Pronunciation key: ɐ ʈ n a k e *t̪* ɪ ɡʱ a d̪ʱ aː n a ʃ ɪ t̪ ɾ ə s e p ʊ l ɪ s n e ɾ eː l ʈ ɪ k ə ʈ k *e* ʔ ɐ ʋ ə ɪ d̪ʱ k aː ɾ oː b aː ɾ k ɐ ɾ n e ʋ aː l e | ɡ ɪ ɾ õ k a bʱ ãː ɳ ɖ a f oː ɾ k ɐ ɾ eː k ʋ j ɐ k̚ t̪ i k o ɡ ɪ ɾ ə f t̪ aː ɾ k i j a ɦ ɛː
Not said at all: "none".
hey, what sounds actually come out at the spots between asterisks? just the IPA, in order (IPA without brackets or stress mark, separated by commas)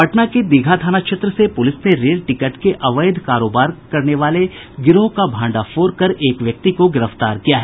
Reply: d̪, e